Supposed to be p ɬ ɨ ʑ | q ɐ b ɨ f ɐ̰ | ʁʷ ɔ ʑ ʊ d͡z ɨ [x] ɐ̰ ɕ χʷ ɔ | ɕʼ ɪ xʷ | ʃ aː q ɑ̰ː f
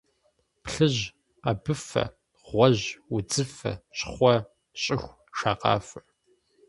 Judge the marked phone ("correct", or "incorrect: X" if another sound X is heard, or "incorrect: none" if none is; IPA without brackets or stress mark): incorrect: f